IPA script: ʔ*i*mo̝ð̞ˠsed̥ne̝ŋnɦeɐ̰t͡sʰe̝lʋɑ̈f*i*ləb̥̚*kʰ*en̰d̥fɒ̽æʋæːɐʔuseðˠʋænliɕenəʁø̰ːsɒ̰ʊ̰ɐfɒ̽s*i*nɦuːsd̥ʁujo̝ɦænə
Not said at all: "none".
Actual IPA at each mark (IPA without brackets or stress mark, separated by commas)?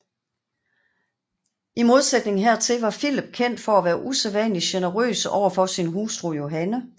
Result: i, i, kʰ, i